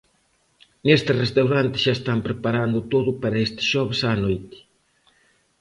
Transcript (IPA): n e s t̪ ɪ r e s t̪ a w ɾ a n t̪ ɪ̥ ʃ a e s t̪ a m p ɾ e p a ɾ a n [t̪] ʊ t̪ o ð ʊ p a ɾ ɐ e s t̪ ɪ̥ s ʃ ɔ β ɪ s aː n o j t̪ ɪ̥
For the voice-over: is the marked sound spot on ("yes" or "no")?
no